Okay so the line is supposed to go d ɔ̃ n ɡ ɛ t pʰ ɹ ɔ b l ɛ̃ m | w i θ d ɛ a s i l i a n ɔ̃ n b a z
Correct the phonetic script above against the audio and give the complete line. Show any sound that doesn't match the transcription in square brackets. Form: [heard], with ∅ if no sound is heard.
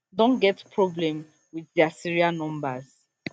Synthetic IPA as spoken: d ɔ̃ n ɡ ɛ t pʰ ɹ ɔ b l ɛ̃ m | w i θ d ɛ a s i [ɹ] i a n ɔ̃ [m] b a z